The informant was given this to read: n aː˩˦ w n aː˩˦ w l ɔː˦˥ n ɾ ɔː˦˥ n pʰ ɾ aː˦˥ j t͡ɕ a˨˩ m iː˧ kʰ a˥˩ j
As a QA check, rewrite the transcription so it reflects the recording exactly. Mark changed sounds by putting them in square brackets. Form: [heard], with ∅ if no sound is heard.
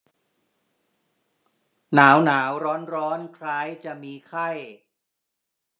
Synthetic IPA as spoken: n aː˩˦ w n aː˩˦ w [ɾ] ɔː˦˥ n ɾ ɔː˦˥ n [kʰ] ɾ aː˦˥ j t͡ɕ a˨˩ m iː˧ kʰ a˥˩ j